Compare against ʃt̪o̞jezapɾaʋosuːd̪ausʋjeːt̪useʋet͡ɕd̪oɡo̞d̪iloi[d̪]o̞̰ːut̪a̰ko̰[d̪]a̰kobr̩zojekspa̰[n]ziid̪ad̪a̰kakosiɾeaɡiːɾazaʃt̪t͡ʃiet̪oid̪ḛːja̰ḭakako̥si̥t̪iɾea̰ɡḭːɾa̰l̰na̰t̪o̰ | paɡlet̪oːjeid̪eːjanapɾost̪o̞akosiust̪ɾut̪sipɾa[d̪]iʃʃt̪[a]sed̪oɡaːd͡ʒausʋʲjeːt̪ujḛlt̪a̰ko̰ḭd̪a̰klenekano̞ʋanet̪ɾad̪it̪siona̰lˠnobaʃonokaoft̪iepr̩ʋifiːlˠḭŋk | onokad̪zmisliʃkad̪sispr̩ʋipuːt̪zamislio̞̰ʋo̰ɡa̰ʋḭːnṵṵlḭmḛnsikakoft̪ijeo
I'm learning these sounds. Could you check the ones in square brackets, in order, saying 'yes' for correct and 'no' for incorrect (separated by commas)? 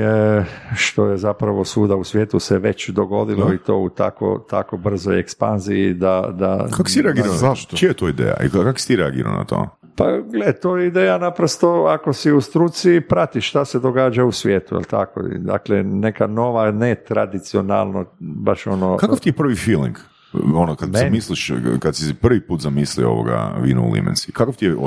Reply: no, no, yes, no, yes